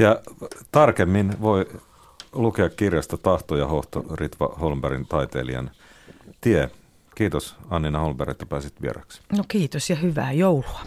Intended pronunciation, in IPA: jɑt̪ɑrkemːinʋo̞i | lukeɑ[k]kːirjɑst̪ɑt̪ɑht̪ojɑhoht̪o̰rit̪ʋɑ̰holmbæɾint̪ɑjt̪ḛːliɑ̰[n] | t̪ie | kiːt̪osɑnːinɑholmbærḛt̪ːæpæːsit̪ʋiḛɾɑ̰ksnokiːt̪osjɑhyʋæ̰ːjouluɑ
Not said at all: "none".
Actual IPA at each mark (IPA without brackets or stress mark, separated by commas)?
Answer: k, n